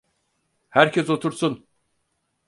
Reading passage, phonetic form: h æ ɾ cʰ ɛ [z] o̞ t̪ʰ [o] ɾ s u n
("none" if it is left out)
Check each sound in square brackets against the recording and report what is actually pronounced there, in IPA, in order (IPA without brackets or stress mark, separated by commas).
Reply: s, u